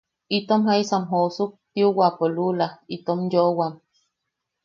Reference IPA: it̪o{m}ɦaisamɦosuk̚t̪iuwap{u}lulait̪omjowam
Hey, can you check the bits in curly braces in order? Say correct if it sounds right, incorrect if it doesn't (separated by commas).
correct, incorrect